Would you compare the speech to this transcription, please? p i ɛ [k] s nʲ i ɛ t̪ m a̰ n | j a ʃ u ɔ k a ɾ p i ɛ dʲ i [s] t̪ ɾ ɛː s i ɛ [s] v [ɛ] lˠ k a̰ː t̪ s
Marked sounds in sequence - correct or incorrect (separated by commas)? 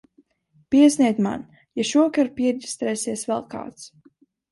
incorrect, correct, correct, correct